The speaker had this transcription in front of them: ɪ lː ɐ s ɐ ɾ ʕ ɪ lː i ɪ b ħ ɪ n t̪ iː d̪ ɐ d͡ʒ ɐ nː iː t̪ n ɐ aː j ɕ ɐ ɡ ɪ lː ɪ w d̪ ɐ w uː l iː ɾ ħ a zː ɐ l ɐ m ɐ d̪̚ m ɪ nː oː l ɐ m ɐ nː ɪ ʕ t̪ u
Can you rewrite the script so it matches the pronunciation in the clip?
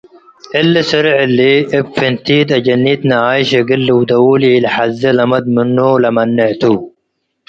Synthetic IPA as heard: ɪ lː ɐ s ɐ ɾ ʕ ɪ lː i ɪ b f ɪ n t̪ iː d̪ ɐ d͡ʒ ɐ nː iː t̪ n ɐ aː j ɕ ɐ ɡ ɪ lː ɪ w d̪ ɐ w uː l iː l ħ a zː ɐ l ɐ m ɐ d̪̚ m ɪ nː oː l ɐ m ɐ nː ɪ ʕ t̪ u